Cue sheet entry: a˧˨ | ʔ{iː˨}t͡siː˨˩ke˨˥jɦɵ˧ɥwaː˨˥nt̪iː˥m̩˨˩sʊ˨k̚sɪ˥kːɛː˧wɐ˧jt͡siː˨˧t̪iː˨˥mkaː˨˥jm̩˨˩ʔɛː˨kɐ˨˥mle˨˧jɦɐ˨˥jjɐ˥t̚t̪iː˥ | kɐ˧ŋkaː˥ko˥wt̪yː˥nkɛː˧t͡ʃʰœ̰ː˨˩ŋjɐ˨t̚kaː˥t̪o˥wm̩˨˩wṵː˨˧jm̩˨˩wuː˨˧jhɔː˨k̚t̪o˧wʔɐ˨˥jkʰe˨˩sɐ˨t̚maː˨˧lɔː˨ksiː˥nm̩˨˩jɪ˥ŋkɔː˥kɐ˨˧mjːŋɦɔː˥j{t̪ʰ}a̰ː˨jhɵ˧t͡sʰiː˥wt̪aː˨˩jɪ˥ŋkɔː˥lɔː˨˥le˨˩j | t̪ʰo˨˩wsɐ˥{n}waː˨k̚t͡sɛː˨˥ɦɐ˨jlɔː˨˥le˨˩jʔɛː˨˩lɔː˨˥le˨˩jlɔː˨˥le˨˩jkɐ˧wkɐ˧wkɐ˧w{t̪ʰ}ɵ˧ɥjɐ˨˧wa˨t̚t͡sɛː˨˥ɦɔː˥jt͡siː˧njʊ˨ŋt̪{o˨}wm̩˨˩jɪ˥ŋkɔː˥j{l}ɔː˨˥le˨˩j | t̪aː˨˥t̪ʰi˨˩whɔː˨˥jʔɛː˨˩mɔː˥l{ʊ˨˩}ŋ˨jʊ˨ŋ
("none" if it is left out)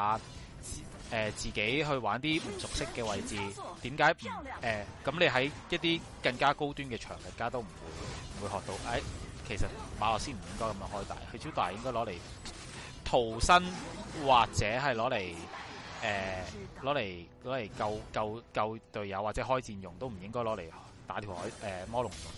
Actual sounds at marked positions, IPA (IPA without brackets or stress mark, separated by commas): ɛː˨, t̪, n, t̪, o˥, l, ʊ˨˩